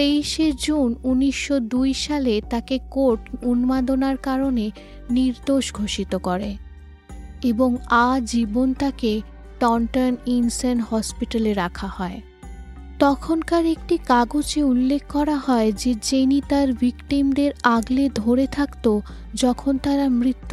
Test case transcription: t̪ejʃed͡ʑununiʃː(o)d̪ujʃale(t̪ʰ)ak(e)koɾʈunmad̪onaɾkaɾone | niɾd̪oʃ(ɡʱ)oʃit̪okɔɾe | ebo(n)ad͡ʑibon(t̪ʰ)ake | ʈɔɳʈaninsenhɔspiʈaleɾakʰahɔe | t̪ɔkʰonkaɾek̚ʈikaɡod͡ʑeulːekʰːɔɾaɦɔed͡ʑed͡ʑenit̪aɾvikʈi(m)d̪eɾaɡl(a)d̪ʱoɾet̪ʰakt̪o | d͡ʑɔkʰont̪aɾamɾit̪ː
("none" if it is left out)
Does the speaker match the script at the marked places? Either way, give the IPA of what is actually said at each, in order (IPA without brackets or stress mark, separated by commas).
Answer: o, t̪, e, ɡʱ, ŋ, t̪, m, e